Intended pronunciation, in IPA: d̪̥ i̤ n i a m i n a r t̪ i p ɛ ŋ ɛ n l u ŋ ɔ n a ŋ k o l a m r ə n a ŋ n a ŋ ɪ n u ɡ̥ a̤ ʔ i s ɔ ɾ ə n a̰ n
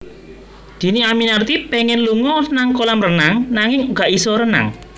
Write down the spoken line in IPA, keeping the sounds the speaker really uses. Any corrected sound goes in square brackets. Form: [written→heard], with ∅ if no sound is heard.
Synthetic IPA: d̪̥ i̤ n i a m i n a r t̪ i p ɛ ŋ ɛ n l u ŋ ɔ n a ŋ k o l a m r ə n a ŋ n a ŋ ɪ [n→ŋ] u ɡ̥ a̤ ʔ i s ɔ ɾ ə n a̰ [n→ŋ]